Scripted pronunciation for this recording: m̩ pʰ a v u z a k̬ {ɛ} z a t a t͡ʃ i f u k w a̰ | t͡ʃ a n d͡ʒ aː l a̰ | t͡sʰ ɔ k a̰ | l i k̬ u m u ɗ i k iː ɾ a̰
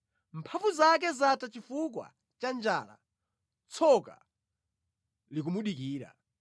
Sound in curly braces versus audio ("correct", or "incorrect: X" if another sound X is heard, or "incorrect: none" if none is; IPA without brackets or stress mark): correct